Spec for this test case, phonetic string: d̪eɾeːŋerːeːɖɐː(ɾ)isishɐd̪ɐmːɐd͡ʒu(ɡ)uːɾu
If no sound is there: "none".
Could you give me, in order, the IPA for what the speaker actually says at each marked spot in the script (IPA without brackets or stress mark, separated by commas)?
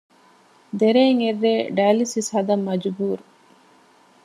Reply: l, b